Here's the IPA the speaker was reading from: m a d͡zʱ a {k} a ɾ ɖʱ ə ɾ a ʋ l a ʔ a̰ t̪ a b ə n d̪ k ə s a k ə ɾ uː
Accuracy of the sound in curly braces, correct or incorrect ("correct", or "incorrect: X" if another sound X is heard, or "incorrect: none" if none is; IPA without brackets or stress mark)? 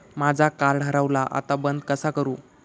correct